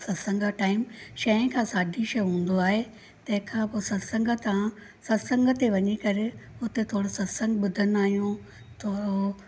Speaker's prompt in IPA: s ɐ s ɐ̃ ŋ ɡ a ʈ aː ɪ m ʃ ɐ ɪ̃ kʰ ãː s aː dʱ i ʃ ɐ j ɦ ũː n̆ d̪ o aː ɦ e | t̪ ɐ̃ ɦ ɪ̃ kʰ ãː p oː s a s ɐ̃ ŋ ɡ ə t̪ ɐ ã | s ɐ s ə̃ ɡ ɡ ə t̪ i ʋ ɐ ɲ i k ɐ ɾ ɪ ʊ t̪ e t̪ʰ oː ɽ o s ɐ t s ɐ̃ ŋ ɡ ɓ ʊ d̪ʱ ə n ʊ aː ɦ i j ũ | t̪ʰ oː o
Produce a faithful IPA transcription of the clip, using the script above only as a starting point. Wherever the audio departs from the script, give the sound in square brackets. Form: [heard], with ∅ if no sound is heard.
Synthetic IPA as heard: s ɐ s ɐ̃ ŋ ɡ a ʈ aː ɪ m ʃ ɐ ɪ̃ kʰ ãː s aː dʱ i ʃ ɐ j ɦ ũː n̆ d̪ o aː ɦ e | t̪ ɐ̃ ɦ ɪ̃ kʰ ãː p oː s [ɐ] s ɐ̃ ŋ ɡ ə t̪ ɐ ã | s ɐ s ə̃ [ŋ] ɡ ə t̪ [e] ʋ ɐ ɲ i k ɐ ɾ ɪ ʊ t̪ e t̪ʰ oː ɽ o s ɐ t s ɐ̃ ŋ ɡ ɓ ʊ d̪ʱ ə n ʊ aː ɦ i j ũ | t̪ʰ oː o